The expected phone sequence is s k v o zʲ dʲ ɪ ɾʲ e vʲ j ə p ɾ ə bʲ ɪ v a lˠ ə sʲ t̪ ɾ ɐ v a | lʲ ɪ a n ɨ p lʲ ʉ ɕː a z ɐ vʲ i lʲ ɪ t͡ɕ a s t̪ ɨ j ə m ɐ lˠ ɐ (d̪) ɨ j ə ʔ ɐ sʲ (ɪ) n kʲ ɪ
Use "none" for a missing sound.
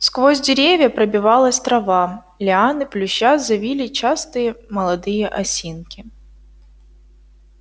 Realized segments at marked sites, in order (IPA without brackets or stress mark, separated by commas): d̪, i